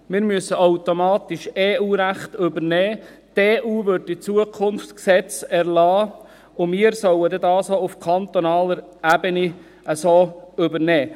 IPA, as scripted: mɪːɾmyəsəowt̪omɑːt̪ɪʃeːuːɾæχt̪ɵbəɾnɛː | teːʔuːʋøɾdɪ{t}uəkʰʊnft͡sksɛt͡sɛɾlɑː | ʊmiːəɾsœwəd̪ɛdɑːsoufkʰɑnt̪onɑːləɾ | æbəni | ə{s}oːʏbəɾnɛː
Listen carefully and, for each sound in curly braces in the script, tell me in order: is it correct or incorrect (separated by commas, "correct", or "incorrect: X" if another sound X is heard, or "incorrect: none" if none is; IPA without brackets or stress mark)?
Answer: incorrect: t͡s, correct